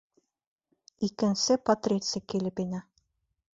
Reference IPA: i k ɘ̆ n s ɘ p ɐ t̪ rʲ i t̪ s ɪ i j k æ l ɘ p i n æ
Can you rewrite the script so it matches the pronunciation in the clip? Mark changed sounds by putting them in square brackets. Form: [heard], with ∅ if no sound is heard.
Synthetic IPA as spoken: i k ɘ̆ n s ɘ p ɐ t̪ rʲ [e] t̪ s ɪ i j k [i] l ɘ p i n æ